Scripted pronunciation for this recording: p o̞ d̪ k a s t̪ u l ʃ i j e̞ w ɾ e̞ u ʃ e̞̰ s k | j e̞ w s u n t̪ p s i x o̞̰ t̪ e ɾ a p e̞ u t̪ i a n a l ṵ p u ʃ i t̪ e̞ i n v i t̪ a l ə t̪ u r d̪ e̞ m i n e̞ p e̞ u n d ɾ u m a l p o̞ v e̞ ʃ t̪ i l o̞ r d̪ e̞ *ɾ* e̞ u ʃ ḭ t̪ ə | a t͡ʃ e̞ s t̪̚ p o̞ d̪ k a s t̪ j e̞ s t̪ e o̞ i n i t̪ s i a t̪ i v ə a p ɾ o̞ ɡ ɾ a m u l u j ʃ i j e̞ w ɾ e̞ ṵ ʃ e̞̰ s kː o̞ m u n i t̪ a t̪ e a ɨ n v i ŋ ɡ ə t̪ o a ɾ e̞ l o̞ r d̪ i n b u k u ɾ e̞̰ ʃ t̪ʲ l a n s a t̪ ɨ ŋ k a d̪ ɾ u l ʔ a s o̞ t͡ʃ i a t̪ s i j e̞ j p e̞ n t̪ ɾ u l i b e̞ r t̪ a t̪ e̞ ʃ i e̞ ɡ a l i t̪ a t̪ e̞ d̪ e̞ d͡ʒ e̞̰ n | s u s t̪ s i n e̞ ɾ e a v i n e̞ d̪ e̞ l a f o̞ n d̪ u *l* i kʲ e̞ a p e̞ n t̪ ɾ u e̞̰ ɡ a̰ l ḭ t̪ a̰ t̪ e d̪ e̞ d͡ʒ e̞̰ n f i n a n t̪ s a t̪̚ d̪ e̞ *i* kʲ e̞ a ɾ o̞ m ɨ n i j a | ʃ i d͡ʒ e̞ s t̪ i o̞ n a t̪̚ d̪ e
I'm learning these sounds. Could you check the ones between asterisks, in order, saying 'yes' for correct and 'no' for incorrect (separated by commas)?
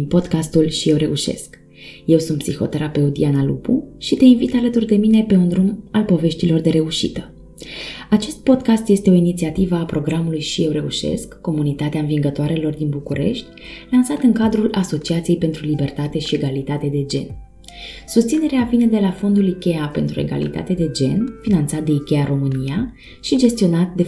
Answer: yes, yes, yes